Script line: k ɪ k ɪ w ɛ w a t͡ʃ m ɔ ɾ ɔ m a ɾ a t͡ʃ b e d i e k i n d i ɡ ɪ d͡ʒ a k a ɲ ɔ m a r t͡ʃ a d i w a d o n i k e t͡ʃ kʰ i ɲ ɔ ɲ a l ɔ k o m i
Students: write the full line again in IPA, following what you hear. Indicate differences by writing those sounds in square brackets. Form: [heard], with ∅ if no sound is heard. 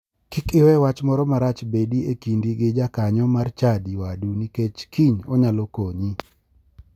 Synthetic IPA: k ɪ k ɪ w ɛ w a t͡ʃ m ɔ ɾ ɔ m a ɾ a t͡ʃ b e d i e k i n d i ɡ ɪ d͡ʒ a k a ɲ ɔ m a r t͡ʃ a d i w a d [u] n i k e t͡ʃ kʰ i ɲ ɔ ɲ a l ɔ k o [ɲ] i